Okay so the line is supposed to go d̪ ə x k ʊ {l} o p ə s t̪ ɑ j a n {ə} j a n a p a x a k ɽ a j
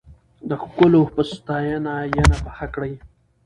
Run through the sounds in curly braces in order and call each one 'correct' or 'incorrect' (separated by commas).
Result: correct, incorrect